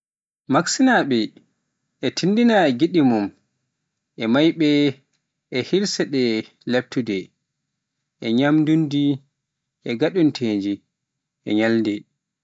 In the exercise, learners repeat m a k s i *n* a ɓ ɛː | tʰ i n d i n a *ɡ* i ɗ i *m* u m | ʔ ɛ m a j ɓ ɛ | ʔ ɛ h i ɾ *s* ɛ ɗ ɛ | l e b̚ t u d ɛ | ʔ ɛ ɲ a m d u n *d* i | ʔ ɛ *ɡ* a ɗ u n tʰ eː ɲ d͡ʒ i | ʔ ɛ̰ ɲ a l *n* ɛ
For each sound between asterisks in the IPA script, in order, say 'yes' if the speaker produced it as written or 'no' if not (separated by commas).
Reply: yes, yes, yes, yes, yes, yes, no